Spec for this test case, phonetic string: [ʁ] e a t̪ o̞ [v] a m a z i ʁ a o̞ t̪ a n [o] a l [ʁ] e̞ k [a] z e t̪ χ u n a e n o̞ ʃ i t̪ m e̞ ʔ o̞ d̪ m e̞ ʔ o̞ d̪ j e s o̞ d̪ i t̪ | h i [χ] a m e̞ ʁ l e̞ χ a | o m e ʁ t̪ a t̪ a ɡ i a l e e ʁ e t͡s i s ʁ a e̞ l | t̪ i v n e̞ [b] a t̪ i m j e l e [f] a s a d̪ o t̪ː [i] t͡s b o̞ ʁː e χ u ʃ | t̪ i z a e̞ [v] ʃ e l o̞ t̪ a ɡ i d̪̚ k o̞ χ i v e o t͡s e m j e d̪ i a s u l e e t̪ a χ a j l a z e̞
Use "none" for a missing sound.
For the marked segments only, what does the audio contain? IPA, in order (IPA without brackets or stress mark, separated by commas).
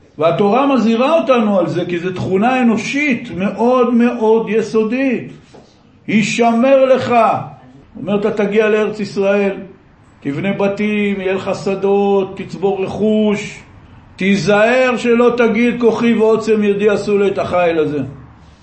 v, ʁ, u, z, i, ʃ, b, χ, i, ʁ